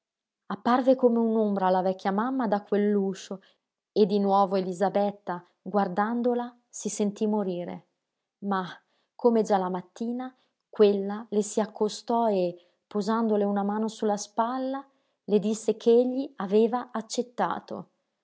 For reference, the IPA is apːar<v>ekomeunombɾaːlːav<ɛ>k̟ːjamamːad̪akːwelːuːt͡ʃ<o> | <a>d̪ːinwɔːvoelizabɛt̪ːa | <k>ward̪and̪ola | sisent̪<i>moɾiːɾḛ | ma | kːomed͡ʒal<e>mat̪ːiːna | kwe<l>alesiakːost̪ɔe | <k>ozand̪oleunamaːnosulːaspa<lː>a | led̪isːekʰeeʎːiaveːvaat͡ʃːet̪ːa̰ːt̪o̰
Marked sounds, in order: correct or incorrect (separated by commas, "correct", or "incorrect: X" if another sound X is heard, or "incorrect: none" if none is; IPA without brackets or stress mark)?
correct, correct, correct, incorrect: e, incorrect: ɡ, correct, incorrect: a, incorrect: lː, incorrect: p, correct